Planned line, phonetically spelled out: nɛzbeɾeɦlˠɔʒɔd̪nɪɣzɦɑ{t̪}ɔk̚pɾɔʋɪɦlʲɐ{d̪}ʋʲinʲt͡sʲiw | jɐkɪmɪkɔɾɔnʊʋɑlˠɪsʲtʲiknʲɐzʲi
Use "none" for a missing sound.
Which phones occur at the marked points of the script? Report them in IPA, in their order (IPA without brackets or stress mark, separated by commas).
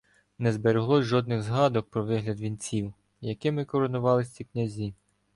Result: d̪, d̪